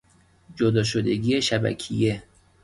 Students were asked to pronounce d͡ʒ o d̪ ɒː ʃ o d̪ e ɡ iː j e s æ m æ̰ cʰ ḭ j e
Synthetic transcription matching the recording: d͡ʒ o d̪ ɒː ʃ o d̪ e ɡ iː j e ʃ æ b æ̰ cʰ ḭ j e